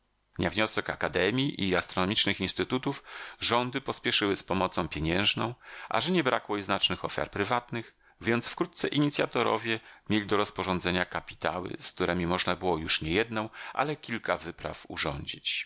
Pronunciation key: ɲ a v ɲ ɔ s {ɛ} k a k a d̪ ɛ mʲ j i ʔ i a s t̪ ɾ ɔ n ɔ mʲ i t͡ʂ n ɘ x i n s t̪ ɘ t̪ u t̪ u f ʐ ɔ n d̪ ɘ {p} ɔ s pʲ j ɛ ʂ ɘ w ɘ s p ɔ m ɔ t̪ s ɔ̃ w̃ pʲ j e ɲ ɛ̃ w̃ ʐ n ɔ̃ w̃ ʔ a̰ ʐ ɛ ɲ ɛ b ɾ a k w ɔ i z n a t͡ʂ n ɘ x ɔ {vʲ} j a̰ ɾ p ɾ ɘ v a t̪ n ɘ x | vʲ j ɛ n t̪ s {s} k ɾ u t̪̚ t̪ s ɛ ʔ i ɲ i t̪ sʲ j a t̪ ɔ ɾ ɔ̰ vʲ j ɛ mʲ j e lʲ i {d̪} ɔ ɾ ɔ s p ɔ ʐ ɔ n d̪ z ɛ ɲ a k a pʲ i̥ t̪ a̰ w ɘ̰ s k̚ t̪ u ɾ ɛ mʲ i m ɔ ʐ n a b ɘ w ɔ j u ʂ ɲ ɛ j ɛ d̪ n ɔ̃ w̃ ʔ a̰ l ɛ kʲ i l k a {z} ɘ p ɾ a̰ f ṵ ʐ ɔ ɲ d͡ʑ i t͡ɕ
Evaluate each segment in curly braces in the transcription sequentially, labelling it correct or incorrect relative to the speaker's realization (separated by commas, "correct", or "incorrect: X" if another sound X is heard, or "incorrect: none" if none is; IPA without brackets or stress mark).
correct, correct, incorrect: fʲ, incorrect: f, correct, incorrect: v